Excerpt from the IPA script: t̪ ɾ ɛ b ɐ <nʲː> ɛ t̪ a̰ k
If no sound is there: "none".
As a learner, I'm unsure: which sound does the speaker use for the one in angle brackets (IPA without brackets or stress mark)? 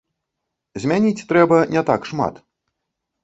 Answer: nʲ